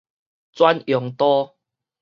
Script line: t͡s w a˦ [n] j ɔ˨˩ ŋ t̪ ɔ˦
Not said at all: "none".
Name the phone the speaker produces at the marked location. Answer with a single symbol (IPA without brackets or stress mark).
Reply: n